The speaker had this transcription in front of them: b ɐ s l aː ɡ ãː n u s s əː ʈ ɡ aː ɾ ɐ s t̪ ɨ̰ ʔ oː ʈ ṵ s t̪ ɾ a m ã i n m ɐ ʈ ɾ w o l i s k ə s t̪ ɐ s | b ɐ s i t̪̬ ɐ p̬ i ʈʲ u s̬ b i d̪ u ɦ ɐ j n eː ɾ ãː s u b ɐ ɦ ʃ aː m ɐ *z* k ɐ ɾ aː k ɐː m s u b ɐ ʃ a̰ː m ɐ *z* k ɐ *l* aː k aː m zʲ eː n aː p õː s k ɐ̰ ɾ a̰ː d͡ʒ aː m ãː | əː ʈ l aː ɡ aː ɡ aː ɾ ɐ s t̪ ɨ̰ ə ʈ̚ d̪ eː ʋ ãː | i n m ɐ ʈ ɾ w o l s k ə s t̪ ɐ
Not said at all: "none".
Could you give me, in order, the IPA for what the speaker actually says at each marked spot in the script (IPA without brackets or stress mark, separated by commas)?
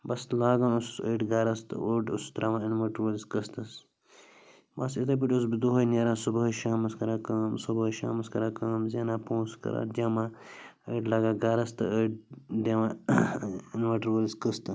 s, s, ɾ